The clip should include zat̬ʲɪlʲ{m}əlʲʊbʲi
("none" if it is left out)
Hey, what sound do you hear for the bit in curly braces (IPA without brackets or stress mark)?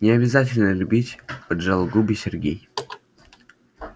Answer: n